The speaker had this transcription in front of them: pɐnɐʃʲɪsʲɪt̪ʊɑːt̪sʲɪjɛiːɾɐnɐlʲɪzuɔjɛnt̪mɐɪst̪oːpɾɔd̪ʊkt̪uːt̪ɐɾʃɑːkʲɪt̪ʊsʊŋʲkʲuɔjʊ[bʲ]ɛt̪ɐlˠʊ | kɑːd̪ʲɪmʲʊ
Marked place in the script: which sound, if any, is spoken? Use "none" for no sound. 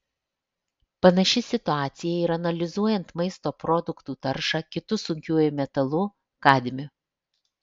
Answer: mʲ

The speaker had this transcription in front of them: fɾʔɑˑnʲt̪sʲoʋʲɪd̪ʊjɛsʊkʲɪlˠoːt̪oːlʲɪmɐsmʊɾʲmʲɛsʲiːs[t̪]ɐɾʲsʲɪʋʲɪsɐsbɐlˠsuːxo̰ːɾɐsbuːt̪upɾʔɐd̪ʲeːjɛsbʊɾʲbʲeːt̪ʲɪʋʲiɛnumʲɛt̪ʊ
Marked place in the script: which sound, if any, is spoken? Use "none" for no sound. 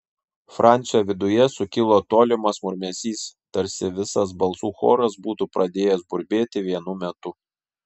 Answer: t̪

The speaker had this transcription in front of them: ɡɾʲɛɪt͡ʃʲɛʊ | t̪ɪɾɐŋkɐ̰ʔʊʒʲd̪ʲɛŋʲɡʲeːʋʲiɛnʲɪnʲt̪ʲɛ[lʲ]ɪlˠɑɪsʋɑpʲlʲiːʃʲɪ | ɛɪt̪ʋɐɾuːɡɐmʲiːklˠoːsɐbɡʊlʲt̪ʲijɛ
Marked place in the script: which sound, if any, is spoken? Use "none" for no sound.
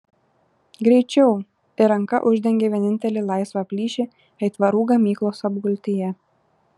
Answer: lʲ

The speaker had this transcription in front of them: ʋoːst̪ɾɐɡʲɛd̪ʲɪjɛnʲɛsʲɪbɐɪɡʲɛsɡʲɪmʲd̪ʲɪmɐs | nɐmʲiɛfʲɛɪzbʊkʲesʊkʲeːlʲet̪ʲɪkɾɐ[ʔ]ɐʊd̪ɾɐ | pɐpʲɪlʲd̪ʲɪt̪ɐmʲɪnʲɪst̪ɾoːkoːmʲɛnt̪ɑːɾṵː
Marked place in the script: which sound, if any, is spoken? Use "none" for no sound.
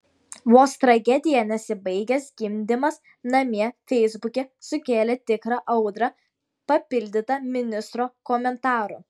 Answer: ʔ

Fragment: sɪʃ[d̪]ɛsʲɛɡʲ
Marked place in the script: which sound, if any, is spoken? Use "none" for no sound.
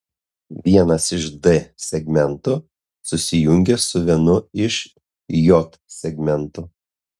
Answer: d̪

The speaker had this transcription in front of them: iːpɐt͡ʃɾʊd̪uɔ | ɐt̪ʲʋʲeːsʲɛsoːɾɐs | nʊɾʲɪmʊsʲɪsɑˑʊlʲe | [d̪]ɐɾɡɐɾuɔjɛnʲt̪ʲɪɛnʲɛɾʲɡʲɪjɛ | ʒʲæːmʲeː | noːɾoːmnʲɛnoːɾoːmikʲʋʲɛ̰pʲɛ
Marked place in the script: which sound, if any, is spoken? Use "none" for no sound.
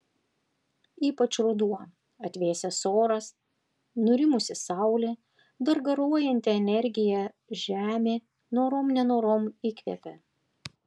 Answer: d̪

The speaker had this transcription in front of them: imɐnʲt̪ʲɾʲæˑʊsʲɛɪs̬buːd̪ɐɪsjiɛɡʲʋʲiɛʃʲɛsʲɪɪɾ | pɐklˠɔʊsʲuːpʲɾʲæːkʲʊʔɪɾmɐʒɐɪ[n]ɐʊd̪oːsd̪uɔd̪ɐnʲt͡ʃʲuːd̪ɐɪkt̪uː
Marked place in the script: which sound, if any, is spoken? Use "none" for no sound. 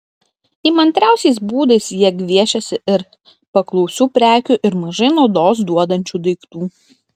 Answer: n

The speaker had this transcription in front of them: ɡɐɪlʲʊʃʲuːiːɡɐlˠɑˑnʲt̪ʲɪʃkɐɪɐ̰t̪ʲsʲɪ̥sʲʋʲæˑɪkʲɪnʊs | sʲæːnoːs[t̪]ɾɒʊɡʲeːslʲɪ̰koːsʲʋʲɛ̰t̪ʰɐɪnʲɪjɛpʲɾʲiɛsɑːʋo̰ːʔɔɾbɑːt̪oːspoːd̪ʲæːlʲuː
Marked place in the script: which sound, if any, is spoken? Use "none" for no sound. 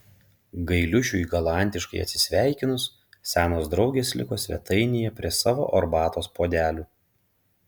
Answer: d̪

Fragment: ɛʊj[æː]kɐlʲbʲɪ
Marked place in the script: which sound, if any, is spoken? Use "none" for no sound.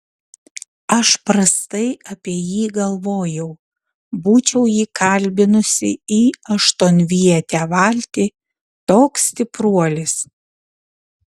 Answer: iː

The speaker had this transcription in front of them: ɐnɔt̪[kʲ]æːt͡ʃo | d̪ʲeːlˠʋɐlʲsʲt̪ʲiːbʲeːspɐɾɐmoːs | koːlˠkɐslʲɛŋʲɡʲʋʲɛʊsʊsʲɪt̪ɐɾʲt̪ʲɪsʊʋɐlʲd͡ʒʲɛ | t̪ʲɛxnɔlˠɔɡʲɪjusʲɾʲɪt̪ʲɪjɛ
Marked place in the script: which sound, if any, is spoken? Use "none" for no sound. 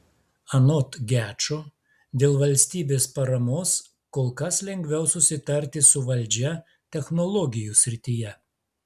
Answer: ɡʲ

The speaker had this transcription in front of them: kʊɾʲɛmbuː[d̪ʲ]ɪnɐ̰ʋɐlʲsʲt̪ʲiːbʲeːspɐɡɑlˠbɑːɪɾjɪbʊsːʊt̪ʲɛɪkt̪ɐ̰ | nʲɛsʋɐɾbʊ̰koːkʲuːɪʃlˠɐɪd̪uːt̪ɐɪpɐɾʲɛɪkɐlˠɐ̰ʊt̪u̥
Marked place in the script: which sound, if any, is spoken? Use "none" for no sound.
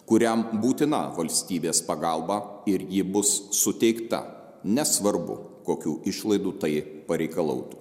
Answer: t̪ʲ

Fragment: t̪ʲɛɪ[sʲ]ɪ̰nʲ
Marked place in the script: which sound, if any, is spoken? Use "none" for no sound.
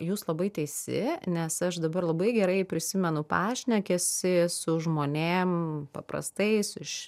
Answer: sʲ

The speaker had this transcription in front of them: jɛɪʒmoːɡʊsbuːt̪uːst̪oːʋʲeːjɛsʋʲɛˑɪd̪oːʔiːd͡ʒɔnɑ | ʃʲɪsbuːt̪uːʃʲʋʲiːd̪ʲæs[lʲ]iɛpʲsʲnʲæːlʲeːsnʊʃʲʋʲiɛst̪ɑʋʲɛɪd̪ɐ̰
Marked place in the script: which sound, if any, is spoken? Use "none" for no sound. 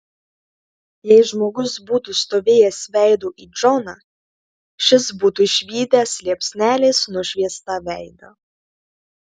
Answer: lʲ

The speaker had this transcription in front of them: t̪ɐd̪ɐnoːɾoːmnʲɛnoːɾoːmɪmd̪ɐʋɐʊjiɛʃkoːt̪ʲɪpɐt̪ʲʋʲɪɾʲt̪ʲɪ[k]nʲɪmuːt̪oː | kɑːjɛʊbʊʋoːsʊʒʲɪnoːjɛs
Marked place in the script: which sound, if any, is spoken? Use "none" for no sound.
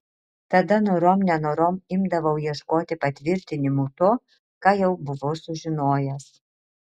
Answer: none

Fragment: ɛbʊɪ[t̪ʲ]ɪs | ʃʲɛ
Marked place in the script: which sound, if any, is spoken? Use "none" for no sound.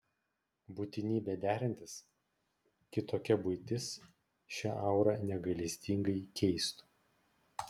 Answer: t̪ʲ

